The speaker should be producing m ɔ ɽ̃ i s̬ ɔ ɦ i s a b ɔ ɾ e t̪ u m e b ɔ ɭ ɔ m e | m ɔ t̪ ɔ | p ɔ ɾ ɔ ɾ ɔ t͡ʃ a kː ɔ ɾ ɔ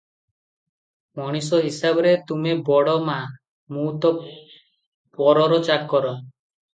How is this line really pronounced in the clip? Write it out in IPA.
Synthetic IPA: m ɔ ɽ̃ i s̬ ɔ ɦ i s a b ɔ ɾ e t̪ u m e b ɔ ɽ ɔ m a | m u t̪ ɔ | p ɔ ɾ ɔ ɾ ɔ t͡ʃ a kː ɔ ɾ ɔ